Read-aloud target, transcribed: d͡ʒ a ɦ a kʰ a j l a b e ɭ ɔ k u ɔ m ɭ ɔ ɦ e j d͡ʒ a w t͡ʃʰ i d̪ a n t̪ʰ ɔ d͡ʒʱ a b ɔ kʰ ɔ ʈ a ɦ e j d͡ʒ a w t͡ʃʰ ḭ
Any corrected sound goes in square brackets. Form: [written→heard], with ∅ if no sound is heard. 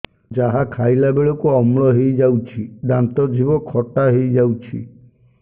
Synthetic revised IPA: d͡ʒ a ɦ a kʰ a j l a b e ɭ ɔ k u ɔ m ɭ ɔ ɦ e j d͡ʒ a w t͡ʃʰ i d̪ a n [t̪ʰ→t̪] ɔ d͡ʒʱ [a→i] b ɔ kʰ ɔ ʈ a ɦ e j d͡ʒ a w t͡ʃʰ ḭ